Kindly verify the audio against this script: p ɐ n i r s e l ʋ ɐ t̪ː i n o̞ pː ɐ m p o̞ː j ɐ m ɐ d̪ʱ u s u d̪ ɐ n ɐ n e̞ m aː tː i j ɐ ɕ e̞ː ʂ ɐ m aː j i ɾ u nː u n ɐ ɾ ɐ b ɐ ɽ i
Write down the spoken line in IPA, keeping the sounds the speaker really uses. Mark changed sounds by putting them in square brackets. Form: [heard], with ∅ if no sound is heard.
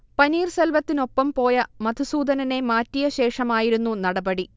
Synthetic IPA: p ɐ n [iː] r s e l ʋ ɐ t̪ː i n o̞ pː ɐ m p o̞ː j ɐ m ɐ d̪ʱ u s [uː] d̪ ɐ n ɐ n e̞ m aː tː i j ɐ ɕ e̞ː ʂ ɐ m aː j i ɾ u nː u n ɐ [ɽ] ɐ b ɐ ɽ i